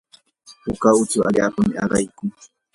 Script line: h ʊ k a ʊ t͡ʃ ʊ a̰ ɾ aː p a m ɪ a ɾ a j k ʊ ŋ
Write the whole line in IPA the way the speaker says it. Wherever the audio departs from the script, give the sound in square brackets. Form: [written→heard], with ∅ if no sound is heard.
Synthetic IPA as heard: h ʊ k a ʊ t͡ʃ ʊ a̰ [ɾ→ʎ] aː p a m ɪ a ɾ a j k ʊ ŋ